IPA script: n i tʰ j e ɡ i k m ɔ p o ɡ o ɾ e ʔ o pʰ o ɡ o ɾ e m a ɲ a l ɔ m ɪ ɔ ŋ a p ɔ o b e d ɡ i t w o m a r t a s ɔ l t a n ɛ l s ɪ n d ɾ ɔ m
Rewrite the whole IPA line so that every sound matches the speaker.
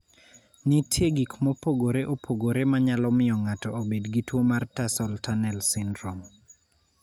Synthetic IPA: n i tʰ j e ɡ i k m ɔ p o ɡ o ɾ e ʔ o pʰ o ɡ o ɾ e m a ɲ a l ɔ m ɪ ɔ ŋ a t ɔ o b e d ɡ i t w o m a r t a s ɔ l t a n ɛ l s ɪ n d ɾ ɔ m